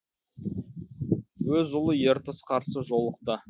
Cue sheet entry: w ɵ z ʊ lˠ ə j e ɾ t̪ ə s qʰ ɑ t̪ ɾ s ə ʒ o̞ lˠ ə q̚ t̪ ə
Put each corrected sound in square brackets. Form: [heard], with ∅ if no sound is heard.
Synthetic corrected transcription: w ɵ z ʊ lˠ ə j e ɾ t̪ ə s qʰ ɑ [∅] ɾ s ə ʒ o̞ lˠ ə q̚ t̪ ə